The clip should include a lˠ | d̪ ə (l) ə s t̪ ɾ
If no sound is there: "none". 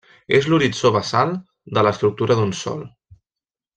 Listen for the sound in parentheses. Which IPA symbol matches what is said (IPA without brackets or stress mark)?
l